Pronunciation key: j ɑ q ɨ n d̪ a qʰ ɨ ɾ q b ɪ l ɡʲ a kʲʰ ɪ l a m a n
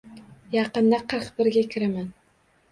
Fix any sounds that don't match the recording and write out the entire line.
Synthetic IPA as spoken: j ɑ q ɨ n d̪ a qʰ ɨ ɾ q b ɪ ɾ ɡʲ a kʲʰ ɪ ɾ a m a n